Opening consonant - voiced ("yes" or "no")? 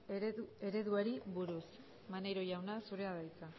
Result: yes